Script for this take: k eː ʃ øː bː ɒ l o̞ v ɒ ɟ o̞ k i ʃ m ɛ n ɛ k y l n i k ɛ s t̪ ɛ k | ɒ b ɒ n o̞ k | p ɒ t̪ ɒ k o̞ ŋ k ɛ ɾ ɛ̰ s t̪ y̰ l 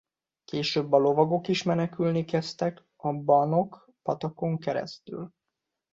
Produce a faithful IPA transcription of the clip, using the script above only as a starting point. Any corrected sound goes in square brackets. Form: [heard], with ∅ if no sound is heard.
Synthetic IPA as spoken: k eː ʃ øː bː ɒ l o̞ v ɒ [ɡ] o̞ k i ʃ m ɛ n ɛ k y l n i k ɛ s t̪ ɛ k | ɒ b ɒ n o̞ k | p ɒ t̪ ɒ k o̞ ŋ k ɛ ɾ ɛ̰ s t̪ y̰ l